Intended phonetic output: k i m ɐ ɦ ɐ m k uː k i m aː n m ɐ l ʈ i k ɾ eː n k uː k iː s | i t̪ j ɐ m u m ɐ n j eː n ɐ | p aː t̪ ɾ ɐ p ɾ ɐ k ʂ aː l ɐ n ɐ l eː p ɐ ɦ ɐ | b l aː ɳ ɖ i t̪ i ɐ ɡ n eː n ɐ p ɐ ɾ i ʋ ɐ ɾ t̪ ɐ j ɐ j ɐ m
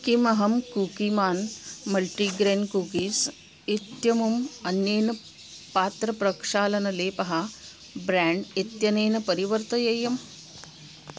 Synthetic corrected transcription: k i m ɐ ɦ ɐ m k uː k i m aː n m ɐ l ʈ i ɡ ɾ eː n k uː k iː s | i t̪ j ɐ m u m ɐ n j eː n ɐ | p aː t̪ ɾ ɐ p ɾ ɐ k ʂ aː l ɐ n ɐ l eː p ɐ ɦ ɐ | b ɾ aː ɳ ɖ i t̪ j ɐ n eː n ɐ p ɐ ɾ i ʋ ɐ ɾ t̪ ɐ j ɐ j ɐ m